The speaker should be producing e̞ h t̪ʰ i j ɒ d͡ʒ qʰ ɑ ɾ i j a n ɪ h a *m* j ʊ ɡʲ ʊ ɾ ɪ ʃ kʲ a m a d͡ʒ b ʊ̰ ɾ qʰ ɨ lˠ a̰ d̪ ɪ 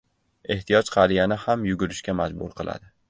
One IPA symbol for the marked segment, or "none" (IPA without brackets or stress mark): m